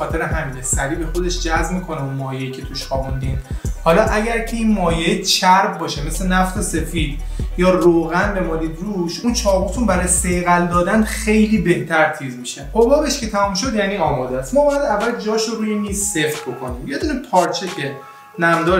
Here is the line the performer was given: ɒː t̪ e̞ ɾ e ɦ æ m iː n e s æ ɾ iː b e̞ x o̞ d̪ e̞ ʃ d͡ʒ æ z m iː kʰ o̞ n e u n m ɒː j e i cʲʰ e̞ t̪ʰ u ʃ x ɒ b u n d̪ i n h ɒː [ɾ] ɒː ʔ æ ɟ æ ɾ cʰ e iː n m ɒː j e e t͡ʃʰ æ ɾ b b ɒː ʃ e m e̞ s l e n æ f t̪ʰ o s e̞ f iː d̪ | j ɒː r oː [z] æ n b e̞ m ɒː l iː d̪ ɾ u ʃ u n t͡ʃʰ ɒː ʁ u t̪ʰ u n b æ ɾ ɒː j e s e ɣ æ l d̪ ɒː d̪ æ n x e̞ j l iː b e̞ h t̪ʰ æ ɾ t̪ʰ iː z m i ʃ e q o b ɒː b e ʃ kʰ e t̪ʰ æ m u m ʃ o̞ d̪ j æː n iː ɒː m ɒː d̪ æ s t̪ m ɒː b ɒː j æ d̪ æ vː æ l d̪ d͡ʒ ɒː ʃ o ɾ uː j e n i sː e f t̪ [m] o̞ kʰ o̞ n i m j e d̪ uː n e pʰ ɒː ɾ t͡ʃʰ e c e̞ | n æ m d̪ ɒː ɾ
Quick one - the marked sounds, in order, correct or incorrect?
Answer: incorrect: l, incorrect: ɣ, incorrect: b

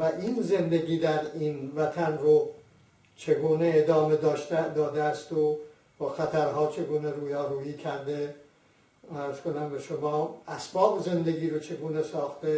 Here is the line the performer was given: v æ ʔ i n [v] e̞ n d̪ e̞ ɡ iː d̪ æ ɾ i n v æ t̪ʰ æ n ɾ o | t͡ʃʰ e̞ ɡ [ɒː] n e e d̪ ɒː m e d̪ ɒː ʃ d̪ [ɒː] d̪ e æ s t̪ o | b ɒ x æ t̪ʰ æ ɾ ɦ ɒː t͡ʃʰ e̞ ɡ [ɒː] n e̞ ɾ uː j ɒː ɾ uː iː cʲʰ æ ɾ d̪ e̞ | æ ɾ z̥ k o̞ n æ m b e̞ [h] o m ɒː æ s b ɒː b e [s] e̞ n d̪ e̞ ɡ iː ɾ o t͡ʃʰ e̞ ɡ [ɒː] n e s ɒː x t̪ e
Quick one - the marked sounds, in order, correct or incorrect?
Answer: incorrect: z, incorrect: uː, correct, incorrect: uː, incorrect: ʃ, incorrect: z, incorrect: uː

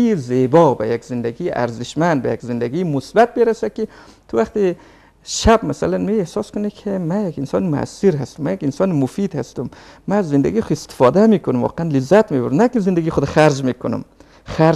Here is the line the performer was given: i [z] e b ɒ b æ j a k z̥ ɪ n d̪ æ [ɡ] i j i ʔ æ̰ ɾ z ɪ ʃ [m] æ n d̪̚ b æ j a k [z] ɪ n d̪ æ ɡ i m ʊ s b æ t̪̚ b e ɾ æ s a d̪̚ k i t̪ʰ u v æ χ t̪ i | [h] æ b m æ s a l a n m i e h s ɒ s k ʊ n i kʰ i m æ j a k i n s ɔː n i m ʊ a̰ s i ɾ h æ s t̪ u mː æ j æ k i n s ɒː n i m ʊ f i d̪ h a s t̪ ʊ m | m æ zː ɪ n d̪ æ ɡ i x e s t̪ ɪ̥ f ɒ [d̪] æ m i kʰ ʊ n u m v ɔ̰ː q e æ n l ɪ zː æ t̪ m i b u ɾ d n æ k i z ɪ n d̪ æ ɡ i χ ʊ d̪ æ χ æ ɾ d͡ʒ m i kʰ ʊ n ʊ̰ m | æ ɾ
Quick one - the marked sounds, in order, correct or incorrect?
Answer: correct, correct, correct, correct, incorrect: ʃ, correct

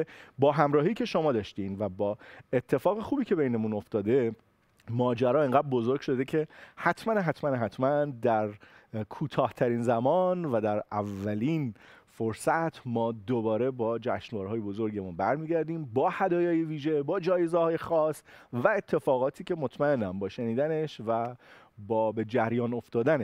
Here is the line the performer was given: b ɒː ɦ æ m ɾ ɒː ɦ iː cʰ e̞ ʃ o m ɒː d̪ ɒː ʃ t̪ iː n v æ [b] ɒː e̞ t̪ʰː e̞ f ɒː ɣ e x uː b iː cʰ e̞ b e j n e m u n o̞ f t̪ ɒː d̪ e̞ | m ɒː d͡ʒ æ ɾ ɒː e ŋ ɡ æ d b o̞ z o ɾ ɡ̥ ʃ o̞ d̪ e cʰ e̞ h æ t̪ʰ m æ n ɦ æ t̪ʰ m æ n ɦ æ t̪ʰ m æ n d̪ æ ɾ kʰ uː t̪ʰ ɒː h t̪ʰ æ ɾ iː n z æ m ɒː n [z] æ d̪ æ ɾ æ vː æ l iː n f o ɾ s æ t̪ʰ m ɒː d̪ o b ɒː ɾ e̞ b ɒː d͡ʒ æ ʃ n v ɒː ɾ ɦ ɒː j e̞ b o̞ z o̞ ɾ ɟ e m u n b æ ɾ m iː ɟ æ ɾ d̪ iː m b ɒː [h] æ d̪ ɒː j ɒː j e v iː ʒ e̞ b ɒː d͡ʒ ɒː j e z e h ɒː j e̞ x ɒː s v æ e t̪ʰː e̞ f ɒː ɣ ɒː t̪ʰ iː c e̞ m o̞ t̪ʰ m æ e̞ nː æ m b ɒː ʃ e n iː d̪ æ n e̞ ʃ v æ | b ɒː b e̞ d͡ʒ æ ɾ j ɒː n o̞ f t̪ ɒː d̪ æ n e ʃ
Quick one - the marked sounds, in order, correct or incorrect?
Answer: correct, incorrect: v, correct

